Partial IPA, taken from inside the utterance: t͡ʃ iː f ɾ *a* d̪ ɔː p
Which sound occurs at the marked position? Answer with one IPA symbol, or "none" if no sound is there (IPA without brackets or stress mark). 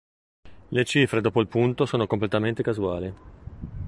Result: e